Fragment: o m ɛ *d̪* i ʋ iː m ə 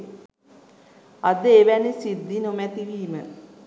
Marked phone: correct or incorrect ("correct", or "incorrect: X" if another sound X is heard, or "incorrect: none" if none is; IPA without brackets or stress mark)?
incorrect: t̪